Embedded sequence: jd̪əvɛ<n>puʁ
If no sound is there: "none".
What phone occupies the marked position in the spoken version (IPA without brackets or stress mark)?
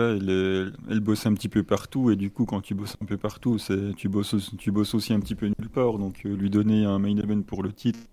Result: n